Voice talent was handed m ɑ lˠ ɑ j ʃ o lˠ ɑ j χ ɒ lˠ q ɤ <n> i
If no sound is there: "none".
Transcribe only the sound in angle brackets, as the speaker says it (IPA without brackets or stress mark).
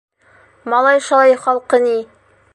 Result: n